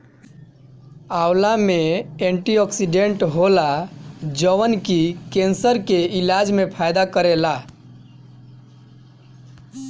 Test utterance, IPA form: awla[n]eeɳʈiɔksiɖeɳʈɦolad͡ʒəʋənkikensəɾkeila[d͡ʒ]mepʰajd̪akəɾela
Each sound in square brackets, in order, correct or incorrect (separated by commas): incorrect, correct